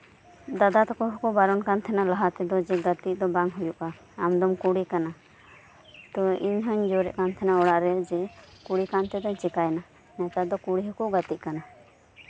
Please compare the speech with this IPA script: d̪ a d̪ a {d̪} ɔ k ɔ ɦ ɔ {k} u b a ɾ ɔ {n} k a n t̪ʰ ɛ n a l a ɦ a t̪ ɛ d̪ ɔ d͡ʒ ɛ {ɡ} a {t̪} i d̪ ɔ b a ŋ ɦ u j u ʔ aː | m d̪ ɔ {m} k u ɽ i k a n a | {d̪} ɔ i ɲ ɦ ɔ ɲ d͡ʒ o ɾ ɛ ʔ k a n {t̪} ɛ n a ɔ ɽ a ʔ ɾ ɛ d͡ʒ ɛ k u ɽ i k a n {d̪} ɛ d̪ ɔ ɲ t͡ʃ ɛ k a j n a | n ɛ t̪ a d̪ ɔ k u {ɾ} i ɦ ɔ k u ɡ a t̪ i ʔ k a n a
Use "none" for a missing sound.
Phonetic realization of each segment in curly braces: t̪, k, n, ɡ, t̪, m, t̪, t̪ʰ, t̪, ɽ

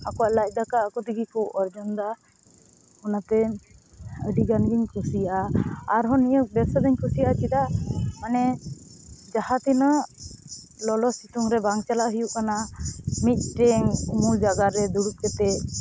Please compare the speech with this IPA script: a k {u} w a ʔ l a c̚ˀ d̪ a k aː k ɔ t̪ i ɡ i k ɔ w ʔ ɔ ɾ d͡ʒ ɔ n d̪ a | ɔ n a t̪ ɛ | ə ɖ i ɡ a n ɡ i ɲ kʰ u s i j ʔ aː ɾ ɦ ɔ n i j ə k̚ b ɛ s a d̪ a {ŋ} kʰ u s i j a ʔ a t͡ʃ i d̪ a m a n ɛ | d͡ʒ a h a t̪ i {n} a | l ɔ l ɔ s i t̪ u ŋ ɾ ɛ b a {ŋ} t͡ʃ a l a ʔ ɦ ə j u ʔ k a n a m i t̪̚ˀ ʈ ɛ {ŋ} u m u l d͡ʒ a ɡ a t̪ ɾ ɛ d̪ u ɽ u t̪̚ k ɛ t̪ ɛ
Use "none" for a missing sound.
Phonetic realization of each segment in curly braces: ɔ, ɲ, n, ŋ, ŋ

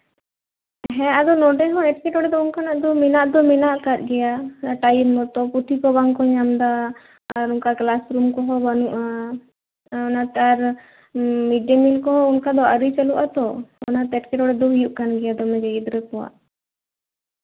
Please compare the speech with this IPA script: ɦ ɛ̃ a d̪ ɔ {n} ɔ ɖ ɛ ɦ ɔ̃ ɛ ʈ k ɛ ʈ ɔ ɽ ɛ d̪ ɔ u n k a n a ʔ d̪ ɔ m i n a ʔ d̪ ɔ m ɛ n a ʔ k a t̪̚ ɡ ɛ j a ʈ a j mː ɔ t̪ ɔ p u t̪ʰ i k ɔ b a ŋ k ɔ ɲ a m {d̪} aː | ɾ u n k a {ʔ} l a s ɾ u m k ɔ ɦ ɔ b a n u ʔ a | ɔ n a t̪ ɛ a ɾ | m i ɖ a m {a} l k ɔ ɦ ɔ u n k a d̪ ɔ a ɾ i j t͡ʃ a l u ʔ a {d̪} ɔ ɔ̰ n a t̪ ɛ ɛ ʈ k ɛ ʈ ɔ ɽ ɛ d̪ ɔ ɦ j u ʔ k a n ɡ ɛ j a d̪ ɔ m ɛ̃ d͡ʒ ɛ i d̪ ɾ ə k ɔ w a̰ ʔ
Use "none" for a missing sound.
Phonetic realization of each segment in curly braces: n, d̪, k, i, t̪

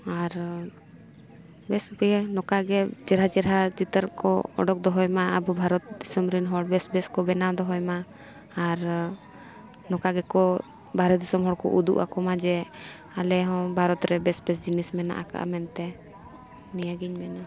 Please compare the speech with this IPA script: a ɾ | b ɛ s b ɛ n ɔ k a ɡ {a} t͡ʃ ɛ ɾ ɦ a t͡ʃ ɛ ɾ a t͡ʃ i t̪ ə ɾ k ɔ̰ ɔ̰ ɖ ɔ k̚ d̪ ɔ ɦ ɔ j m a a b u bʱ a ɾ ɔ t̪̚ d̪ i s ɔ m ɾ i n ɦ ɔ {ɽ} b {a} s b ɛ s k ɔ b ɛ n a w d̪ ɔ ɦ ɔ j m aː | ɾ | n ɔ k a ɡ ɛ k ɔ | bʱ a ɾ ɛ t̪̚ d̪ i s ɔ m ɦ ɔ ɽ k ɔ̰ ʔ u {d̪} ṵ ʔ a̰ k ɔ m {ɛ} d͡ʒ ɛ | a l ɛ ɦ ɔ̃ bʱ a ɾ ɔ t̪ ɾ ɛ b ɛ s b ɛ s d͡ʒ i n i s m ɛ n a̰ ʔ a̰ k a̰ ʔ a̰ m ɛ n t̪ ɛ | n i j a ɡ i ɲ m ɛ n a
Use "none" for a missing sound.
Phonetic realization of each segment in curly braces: ɛ, ɽ, ɛ, d̪, a

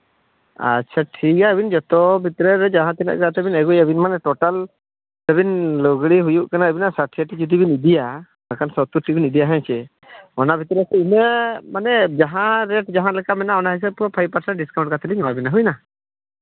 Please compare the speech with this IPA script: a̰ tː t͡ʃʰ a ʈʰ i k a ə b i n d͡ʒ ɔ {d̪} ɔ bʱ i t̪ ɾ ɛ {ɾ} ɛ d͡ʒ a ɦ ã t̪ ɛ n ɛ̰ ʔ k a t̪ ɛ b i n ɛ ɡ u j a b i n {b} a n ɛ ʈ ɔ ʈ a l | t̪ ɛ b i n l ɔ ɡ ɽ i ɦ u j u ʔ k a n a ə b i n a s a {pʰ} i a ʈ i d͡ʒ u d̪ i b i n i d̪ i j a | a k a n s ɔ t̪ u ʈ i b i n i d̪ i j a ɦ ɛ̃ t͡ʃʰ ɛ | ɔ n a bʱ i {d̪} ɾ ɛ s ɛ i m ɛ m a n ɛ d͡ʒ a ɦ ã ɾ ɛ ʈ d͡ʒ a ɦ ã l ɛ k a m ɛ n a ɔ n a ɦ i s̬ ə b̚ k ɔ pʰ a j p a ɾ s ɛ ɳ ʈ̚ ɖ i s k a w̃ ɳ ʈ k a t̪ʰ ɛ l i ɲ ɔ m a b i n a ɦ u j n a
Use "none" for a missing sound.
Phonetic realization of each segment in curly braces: t̪, ɾ, m, ʈʰ, t̪

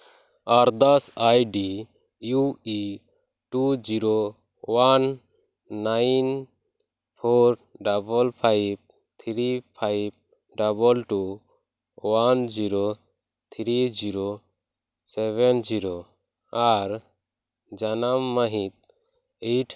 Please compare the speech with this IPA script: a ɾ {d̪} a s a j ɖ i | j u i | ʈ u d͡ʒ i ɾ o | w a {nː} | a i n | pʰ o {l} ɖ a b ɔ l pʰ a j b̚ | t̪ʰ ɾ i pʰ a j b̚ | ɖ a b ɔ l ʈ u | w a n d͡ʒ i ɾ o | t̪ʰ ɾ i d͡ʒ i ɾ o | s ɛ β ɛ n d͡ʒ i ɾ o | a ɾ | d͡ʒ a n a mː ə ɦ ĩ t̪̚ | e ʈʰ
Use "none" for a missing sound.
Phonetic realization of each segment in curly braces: d̪, nː, ɾ

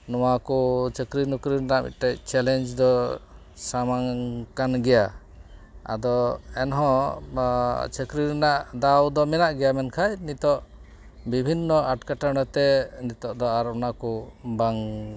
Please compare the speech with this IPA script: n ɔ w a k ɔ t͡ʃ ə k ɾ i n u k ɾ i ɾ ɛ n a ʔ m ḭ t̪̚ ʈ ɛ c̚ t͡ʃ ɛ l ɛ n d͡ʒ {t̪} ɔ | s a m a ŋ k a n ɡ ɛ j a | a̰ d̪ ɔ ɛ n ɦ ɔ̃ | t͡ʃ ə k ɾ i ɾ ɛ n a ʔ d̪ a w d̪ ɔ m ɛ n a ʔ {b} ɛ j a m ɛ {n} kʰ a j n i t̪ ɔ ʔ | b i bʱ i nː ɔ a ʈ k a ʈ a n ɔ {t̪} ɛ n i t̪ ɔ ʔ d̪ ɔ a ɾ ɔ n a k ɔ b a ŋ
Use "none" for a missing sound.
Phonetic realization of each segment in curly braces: d̪, ɡ, n, t̪

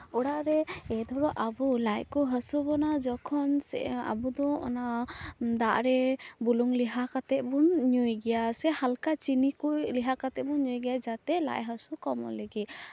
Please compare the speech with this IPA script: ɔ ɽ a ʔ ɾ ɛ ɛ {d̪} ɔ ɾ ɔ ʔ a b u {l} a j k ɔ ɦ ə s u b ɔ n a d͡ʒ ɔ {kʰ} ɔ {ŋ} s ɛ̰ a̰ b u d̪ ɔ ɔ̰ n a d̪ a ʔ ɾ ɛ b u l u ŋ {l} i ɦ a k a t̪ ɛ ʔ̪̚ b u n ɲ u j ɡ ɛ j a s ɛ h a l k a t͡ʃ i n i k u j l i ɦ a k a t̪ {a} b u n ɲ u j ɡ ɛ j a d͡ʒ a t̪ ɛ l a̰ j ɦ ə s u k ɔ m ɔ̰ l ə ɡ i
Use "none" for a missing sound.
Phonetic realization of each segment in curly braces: d̪, l, kʰ, n, l, ɛ

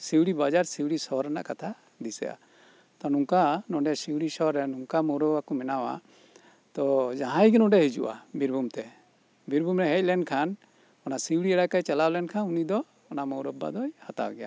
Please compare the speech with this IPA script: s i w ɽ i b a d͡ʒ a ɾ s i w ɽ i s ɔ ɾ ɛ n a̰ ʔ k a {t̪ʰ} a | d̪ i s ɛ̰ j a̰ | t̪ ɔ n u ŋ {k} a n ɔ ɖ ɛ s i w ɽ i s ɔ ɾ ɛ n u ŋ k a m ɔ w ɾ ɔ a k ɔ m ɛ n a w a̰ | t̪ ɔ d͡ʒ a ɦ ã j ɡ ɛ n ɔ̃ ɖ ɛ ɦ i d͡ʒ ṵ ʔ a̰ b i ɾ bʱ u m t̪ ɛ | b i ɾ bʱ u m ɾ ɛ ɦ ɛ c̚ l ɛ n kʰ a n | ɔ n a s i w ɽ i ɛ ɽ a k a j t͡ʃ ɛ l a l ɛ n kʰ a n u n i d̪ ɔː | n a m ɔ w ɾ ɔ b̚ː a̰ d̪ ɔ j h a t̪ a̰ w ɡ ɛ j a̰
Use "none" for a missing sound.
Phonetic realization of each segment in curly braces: t̪ʰ, k

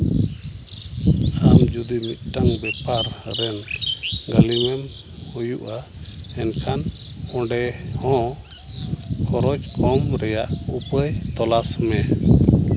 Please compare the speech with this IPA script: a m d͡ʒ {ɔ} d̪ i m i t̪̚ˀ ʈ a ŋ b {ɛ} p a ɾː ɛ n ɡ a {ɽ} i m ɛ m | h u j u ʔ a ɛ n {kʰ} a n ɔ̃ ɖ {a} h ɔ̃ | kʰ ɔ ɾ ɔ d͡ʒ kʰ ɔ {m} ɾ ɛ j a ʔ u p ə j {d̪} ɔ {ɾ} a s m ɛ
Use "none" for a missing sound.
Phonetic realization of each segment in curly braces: u, ɛ, l, kʰ, ɛ, m, t̪, l

